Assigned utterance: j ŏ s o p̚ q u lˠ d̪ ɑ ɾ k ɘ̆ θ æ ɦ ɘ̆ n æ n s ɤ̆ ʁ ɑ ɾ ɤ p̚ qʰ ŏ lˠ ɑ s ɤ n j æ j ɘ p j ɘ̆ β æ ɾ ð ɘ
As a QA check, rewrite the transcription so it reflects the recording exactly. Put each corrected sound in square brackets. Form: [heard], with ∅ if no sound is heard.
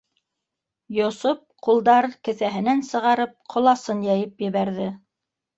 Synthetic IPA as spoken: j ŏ s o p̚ q u lˠ d̪ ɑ ɾ k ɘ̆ θ æ ɦ ɘ̆ n æ n s ɤ̆ ʁ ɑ ɾ ɤ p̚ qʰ ŏ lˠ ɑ s ɤ n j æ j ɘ p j ɘ̆ β æ ɾ ð ɘ